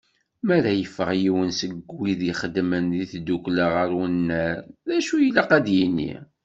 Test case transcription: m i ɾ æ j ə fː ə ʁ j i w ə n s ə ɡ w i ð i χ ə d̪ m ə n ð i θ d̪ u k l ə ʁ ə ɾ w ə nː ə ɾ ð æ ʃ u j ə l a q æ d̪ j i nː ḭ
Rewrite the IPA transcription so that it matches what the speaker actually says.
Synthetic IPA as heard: m æ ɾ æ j ə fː ə ʁ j i w ə n s ə ɡ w i ð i χ ə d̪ m ə n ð i θ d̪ u k l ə ʁ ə ɾ w ə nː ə ɾ ð æ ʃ u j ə l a q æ d̪ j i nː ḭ

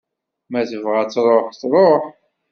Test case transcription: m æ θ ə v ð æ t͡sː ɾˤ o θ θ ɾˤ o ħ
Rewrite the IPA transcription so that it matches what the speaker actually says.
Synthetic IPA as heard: m æ θ ə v ʁ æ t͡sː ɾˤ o ħ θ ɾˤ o ħ

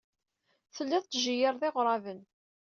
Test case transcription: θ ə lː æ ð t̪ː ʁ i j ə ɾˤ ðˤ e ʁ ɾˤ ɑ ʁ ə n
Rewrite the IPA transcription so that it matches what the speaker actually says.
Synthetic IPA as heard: θ ə lː æ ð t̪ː ʒ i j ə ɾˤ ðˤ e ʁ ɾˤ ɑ v ə n

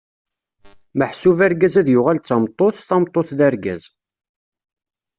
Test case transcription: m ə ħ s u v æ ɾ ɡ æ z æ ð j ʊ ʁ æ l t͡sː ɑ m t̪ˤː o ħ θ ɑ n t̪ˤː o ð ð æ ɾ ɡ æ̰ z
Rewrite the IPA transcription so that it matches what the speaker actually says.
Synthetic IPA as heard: m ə ħ s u v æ ɾ ɡ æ z æ ð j ʊ ʁ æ l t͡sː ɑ m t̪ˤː o θ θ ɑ m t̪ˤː o θ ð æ ɾ ɡ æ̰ z

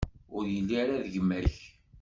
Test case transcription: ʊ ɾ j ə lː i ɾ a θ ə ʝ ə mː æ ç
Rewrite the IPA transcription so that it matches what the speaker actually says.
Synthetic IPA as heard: ʊ ɾ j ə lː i ɾ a ð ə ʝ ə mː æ ç

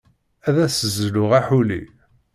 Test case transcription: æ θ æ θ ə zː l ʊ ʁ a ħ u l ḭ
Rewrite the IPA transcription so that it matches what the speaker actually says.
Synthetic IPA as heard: æ ð æ s ə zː l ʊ ʁ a ħ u l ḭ

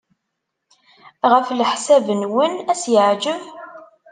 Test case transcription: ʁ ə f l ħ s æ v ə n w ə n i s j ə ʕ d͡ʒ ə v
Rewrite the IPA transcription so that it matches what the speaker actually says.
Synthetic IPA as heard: ʁ ə f l ħ s æ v ə n w ə n æ s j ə ʕ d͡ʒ ə v

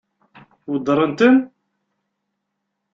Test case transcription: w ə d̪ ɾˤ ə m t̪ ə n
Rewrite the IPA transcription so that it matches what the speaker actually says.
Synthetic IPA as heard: w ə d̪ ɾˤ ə n t̪ ə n

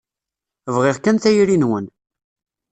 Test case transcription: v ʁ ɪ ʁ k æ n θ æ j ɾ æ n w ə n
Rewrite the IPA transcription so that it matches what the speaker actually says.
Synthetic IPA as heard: v ʁ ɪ ʁ k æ n θ æ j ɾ i n w ə n

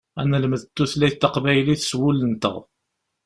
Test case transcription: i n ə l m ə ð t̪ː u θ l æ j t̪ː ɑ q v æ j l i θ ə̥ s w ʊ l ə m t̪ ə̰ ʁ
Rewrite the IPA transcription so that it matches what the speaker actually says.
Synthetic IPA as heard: æ n ə l m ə ð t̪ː u θ l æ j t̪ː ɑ q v æ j l i θ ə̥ s w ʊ l ə n t̪ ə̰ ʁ

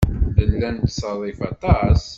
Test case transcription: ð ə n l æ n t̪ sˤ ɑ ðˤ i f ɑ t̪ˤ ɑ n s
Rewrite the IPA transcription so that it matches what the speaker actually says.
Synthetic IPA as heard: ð ə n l æ n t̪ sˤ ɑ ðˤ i f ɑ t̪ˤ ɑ s

